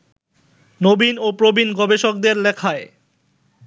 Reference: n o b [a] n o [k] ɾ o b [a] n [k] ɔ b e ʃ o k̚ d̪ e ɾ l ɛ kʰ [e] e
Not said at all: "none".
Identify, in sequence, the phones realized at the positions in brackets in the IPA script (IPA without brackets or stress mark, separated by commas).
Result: i, p, i, ɡ, a